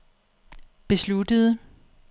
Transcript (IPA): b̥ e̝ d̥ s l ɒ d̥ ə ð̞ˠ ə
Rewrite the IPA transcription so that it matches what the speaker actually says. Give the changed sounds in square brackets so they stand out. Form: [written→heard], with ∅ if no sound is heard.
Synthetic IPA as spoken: b̥ e̝ [d̥→∅] s l [ɒ→u] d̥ ə ð̞ˠ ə